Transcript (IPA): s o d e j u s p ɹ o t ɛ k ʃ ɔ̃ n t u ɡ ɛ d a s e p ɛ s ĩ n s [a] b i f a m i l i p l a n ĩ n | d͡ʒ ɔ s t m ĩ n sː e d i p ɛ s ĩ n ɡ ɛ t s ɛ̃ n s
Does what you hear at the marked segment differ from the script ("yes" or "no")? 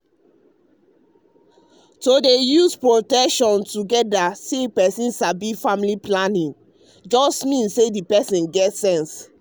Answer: no